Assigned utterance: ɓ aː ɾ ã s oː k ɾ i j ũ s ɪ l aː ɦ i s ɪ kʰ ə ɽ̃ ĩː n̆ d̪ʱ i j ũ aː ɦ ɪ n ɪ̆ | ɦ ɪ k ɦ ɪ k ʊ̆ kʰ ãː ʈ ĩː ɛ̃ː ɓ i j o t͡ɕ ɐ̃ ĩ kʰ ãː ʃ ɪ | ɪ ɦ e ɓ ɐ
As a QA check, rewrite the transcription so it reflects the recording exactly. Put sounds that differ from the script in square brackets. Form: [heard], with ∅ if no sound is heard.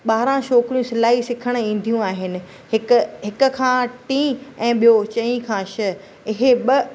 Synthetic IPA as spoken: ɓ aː ɾ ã [ʃ] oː k ɾ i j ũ s ɪ l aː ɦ i s ɪ kʰ ə ɽ̃ ĩː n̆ d̪ʱ i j ũ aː ɦ ɪ n ɪ̆ | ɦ ɪ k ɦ ɪ k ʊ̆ kʰ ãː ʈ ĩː ɛ̃ː ɓ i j o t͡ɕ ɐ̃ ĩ kʰ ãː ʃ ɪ | ɪ ɦ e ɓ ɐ